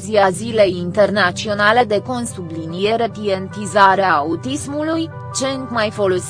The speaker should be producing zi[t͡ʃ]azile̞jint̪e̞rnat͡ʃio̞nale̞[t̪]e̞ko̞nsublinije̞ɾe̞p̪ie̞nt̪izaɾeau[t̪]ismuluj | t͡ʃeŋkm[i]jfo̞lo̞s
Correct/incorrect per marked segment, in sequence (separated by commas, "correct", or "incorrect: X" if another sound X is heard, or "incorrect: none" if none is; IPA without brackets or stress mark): incorrect: none, incorrect: d̪, correct, incorrect: a